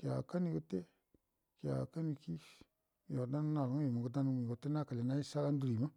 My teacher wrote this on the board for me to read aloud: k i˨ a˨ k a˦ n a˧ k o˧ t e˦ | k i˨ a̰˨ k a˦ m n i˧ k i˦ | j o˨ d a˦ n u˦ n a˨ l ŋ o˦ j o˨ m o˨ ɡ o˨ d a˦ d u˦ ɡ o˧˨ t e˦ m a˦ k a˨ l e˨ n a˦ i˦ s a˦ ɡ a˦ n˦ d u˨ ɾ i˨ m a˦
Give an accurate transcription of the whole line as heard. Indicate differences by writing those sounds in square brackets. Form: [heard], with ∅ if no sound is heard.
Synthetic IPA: k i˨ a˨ k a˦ n [i˧] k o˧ t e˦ | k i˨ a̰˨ k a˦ [∅] n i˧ k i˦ | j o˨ d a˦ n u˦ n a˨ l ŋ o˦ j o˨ m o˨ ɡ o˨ d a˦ [n] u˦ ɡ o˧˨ t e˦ [n] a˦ k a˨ l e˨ n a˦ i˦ s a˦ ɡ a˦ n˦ d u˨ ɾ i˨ m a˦